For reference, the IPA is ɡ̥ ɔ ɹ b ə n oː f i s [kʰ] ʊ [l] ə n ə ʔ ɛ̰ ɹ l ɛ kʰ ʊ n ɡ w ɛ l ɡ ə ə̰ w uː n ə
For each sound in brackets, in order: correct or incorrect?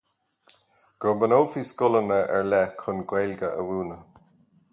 incorrect, correct

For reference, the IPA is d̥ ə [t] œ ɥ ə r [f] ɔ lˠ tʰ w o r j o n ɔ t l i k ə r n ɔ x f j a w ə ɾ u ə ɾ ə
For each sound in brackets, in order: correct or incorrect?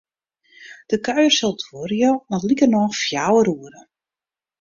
incorrect, incorrect

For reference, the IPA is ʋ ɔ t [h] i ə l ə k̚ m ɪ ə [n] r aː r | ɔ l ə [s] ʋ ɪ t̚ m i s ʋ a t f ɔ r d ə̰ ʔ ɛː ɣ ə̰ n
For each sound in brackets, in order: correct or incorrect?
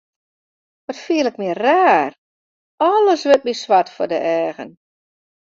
incorrect, incorrect, correct

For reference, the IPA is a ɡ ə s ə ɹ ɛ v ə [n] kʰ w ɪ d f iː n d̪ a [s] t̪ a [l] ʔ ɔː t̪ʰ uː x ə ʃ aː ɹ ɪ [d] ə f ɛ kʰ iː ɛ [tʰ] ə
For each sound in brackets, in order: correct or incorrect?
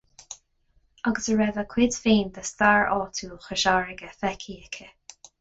incorrect, correct, incorrect, incorrect, incorrect

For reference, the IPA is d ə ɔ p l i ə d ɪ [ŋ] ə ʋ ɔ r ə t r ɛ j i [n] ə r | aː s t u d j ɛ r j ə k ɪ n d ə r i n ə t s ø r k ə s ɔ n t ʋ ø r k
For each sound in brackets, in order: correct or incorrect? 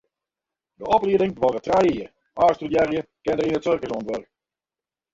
correct, incorrect

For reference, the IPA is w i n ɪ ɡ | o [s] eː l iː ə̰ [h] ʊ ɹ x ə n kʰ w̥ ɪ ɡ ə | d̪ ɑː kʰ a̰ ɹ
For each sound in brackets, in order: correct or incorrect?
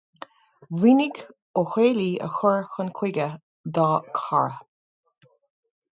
incorrect, incorrect

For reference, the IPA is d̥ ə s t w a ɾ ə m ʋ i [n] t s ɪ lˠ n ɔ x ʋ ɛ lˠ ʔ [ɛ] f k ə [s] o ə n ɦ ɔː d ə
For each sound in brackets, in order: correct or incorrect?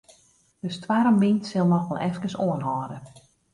correct, correct, correct

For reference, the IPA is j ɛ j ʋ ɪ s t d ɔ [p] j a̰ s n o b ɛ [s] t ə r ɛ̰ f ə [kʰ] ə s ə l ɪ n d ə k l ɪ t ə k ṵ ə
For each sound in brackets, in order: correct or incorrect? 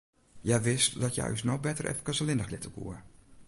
incorrect, incorrect, incorrect

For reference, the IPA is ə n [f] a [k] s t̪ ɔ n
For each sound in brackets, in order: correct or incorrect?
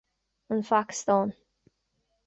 correct, correct

